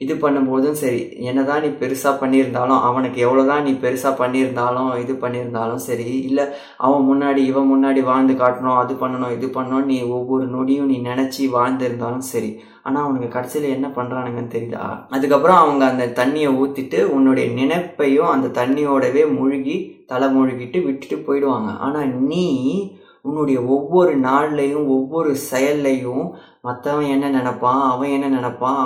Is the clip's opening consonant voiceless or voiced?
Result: voiced